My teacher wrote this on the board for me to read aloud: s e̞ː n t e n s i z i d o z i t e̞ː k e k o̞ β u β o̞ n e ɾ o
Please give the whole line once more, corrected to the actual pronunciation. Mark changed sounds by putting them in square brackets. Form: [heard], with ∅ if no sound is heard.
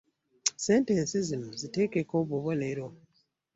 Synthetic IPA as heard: s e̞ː n t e n s i z i [n] o z i t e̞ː k e k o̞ β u β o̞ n e ɾ o